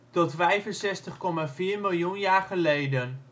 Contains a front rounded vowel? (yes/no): no